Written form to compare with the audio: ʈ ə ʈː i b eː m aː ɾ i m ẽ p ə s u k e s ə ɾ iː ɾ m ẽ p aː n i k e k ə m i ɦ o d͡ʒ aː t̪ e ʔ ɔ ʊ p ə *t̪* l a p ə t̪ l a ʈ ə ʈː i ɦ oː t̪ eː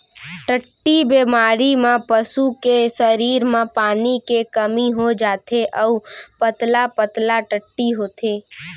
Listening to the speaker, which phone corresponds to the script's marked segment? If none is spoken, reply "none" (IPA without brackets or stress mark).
t̪